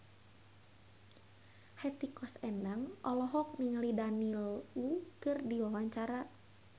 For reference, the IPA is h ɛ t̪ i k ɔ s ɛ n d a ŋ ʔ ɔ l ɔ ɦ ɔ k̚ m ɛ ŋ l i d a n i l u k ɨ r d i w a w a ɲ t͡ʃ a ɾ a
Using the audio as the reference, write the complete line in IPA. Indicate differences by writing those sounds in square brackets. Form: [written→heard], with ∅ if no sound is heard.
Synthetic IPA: h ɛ t̪ i k ɔ s ɛ n d a ŋ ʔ ɔ l ɔ ɦ ɔ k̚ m [ɛ→i] ŋ l i d a n i l u k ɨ r d i w a w a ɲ t͡ʃ a ɾ a